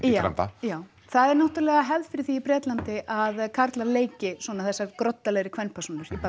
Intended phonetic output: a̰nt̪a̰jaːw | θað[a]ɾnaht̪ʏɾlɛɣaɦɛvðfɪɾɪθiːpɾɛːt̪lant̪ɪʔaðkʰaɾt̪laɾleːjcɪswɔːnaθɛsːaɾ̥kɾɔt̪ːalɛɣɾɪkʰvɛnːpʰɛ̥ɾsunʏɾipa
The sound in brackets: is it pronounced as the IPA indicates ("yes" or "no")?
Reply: no